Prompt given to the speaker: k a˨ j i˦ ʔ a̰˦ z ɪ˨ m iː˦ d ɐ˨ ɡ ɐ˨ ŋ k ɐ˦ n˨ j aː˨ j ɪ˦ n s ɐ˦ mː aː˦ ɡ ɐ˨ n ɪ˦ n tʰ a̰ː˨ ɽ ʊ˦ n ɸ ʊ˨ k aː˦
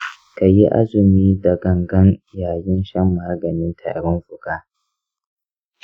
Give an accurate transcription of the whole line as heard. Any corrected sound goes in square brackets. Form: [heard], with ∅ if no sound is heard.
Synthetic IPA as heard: k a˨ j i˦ ʔ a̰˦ z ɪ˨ m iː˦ d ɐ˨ ɡ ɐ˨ ŋ [ɡ] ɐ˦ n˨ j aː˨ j ɪ˦ n [ʃ] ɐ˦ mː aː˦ ɡ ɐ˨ n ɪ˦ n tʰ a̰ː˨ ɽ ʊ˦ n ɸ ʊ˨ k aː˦